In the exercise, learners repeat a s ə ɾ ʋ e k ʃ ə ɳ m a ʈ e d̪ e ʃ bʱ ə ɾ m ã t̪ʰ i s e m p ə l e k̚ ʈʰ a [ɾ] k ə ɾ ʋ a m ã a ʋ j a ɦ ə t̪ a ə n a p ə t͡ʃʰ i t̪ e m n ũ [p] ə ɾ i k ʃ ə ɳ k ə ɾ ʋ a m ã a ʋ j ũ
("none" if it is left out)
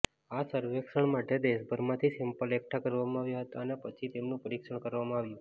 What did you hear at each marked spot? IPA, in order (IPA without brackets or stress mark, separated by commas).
none, p